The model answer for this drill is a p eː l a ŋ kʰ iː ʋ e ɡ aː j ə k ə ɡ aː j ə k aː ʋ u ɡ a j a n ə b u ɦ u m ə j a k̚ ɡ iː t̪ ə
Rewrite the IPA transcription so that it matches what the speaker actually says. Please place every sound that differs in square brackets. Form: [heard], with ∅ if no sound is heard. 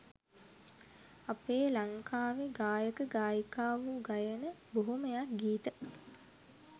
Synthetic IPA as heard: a p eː l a ŋ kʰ [aː] ʋ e ɡ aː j ə k ə ɡ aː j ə k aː ʋ u ɡ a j [ə] n ə b [o] ɦ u m ə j a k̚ ɡ iː t̪ ə